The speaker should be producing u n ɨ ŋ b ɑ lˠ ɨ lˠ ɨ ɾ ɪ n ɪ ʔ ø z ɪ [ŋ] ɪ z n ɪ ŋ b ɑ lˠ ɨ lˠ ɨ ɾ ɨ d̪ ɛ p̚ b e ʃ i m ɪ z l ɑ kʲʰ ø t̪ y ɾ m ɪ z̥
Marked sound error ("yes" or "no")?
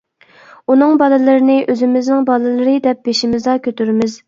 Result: yes